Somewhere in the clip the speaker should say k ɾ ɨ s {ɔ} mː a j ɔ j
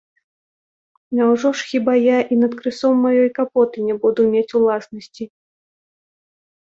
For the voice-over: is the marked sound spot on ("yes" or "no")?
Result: yes